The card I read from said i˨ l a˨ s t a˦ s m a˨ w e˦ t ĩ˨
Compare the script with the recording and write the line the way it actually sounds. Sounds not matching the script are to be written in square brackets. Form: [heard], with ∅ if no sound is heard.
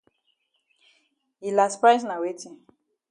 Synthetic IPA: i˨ l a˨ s [p] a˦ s [n] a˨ w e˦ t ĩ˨